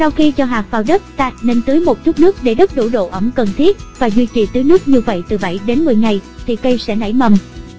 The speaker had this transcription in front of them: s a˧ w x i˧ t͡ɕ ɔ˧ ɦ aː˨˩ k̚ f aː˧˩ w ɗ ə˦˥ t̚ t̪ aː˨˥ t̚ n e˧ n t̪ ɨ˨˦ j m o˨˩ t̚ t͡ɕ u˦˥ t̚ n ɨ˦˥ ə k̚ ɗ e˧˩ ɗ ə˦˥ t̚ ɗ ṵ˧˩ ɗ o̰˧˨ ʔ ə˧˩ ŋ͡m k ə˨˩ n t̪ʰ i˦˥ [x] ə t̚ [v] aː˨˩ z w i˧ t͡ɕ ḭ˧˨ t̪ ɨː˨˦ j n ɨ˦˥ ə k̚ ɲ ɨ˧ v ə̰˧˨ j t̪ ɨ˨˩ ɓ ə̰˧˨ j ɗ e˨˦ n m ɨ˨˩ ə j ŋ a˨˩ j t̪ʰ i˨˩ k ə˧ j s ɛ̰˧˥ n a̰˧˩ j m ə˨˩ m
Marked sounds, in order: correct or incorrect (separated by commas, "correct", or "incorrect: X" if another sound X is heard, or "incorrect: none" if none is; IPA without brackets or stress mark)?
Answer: incorrect: none, correct